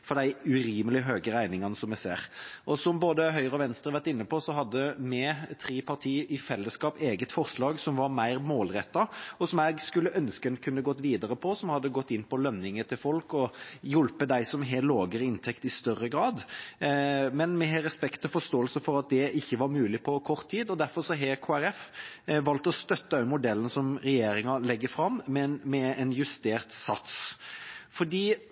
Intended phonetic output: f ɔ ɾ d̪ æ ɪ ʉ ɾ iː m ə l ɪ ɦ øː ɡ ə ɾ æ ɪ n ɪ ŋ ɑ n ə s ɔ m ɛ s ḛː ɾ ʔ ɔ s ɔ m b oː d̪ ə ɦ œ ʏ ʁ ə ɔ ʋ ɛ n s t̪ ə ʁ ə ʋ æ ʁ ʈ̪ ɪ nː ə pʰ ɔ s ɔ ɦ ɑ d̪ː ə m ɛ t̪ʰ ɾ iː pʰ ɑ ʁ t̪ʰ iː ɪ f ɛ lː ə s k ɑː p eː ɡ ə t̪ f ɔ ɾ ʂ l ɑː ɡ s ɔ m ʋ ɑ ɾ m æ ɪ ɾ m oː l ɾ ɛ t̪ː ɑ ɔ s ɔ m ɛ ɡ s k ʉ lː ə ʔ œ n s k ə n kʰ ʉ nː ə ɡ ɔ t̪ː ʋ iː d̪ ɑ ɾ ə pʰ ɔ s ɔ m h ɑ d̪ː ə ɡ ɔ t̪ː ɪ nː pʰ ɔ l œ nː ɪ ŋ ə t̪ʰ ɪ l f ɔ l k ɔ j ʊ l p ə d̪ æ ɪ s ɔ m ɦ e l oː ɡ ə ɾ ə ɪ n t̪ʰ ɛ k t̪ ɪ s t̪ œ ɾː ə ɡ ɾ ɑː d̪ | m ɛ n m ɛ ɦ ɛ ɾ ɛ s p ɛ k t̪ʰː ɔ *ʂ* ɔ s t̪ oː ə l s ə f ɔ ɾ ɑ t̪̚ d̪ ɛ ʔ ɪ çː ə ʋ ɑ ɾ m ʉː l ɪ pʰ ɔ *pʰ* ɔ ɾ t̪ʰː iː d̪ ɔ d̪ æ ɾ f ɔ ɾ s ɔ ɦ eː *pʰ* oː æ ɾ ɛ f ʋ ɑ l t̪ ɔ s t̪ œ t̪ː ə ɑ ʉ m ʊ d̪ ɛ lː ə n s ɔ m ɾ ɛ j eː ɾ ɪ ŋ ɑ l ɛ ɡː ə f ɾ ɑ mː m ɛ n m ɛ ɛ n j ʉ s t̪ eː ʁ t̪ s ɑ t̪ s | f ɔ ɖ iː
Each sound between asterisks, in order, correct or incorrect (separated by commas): incorrect, incorrect, incorrect